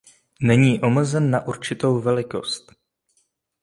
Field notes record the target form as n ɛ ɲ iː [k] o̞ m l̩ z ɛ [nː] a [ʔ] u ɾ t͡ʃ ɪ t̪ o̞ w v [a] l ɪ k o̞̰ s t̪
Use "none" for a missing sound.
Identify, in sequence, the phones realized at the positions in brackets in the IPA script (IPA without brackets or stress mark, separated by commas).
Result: ʔ, nː, ʔ, ɛ